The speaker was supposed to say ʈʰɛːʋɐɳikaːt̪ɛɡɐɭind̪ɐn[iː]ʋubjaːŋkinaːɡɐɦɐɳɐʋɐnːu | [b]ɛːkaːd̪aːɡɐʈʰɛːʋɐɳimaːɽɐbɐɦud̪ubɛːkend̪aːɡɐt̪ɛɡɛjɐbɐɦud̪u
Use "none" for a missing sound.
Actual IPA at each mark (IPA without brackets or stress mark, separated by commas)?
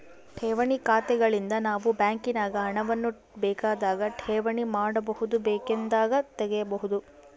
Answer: aː, b